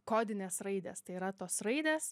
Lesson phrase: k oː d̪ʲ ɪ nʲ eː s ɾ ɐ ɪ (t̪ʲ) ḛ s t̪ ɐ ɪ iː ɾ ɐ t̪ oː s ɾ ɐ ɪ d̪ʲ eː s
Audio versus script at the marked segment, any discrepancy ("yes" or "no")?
yes